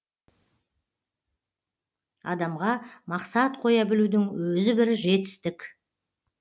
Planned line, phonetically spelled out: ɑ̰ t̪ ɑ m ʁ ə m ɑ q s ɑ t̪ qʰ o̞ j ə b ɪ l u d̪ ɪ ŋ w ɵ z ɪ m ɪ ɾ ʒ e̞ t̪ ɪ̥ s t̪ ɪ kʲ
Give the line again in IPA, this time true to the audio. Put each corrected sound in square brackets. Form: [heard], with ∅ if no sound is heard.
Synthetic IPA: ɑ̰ [d̪] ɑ m ʁ [ɑ] m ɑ q s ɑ t̪ qʰ o̞ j [ɑ] b ɪ l u d̪ ɪ ŋ w ɵ z ɪ [b] ɪ ɾ ʒ e̞ t̪ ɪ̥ s t̪ ɪ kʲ

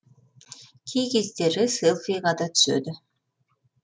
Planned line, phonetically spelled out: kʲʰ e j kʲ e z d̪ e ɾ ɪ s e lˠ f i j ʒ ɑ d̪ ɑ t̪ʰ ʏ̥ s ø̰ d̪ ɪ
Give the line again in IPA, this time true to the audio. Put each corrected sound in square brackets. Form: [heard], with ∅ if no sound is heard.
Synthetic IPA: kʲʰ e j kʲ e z d̪ e ɾ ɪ s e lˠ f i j [ʁ] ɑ d̪ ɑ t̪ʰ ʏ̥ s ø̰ d̪ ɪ

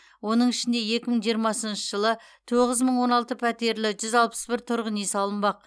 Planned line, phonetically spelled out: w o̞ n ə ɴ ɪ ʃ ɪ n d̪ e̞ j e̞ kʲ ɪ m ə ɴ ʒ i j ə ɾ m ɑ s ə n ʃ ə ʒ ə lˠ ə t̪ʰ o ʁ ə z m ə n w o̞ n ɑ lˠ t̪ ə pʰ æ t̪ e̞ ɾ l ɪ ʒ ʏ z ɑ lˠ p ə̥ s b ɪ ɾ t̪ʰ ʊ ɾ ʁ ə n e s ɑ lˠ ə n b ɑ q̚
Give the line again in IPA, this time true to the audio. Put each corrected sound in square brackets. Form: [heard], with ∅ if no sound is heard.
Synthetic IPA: w o̞ n ə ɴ ɪ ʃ ɪ n d̪ e̞ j e̞ kʲ ɪ m ə ɴ ʒ i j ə ɾ m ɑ s ə n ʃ ə ʒ ə lˠ ə t̪ʰ o ʁ ə z m ə [ɴ] w o̞ n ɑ lˠ t̪ ə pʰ æ t̪ e̞ ɾ l ɪ ʒ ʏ z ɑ lˠ p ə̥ s b ɪ ɾ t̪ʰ ʊ ɾ ʁ ə n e s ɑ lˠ ə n b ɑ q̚

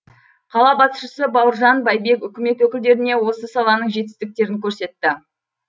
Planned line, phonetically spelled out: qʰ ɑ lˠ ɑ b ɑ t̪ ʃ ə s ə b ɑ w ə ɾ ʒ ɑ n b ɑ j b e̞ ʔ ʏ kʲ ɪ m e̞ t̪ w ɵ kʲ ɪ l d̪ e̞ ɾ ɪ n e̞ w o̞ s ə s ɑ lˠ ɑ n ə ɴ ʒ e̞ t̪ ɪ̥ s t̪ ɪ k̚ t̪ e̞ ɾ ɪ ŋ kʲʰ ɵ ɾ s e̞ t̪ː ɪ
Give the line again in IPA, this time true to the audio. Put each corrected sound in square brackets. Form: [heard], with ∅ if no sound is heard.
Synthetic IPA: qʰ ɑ lˠ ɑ b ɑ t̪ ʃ ə s ə b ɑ w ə ɾ ʒ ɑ n b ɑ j b e̞ [k] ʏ kʲ ɪ m e̞ t̪ w ɵ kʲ ɪ l d̪ e̞ ɾ ɪ n e̞ w o̞ s ə s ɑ lˠ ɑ n ə ɴ ʒ e̞ t̪ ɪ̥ s t̪ ɪ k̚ t̪ e̞ ɾ ɪ ŋ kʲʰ ɵ ɾ s e̞ t̪ː ɪ

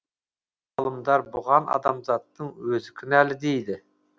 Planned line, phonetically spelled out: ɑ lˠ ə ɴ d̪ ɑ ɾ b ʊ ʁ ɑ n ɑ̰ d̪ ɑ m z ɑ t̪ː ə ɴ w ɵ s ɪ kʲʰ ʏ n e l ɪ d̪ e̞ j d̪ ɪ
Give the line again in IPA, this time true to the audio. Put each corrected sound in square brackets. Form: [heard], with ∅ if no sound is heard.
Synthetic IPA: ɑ lˠ ə [m] d̪ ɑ ɾ b ʊ ʁ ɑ n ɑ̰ d̪ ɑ m z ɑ t̪ː ə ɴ w ɵ [z] ɪ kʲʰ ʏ n [æ] l ɪ d̪ e̞ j d̪ ɪ

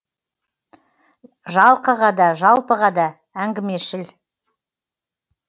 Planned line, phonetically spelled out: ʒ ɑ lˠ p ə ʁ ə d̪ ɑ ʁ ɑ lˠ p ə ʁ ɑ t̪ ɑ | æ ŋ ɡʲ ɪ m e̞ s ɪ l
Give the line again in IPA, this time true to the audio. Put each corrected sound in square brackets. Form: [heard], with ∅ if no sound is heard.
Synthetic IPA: ʒ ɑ lˠ [q] ə ʁ [ɑ] d̪ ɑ [ʒ] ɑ lˠ p ə ʁ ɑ [d̪] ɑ | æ ŋ ɡʲ ɪ m e̞ [ʃ] ɪ l

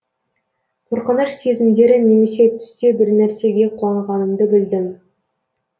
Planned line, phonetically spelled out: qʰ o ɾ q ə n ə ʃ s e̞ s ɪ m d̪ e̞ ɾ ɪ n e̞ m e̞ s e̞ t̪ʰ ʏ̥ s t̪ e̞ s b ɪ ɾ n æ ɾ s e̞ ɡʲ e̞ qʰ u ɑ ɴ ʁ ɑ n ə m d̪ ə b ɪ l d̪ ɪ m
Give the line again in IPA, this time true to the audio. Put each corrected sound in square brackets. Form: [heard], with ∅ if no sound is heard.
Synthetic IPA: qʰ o ɾ q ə n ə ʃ s e̞ [z] ɪ m d̪ e̞ ɾ ɪ n e̞ m e̞ s e̞ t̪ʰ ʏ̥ s t̪ e̞ [∅] b ɪ ɾ n æ ɾ s e̞ ɡʲ e̞ qʰ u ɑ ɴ ʁ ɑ n ə m d̪ ə b ɪ l d̪ ɪ m

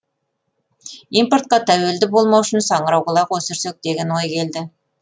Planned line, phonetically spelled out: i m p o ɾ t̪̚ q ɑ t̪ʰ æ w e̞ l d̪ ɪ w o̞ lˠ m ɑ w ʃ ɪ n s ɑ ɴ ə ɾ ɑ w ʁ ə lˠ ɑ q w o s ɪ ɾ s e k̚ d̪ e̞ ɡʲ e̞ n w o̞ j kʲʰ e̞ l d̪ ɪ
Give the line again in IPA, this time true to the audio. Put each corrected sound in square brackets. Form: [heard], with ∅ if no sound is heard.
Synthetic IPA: i m p o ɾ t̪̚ q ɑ t̪ʰ æ w e̞ l d̪ ɪ [b] o̞ lˠ m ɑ w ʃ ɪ n s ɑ ɴ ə ɾ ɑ w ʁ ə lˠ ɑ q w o s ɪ ɾ s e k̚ d̪ e̞ ɡʲ e̞ n w o̞ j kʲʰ e̞ l d̪ ɪ

